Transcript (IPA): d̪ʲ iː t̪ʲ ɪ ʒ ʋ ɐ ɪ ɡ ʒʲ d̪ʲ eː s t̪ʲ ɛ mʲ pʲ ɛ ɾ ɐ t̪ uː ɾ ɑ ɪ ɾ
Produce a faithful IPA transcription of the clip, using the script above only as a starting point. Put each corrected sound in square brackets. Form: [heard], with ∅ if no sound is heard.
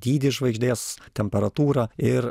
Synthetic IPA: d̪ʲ iː [d̪ʲ] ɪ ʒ ʋ ɐ ɪ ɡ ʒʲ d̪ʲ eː s t̪ʲ ɛ mʲ pʲ ɛ ɾ ɐ t̪ uː ɾ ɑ ɪ ɾ